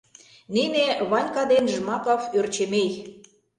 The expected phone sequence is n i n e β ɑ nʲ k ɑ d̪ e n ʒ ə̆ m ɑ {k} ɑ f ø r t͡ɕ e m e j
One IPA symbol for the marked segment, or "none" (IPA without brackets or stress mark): k